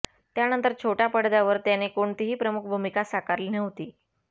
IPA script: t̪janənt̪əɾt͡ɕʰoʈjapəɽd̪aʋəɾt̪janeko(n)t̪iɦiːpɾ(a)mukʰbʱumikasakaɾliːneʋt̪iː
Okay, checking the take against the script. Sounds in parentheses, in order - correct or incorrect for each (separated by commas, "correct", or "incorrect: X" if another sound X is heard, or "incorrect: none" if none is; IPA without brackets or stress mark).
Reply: incorrect: ɳ, incorrect: ə